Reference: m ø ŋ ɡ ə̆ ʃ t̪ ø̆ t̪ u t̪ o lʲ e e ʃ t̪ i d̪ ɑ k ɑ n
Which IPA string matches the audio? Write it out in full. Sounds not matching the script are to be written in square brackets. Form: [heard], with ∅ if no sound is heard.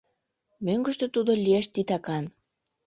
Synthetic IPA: m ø ŋ ɡ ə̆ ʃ t̪ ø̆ t̪ u [d̪] o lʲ [i] e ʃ t̪ i [t̪] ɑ k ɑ n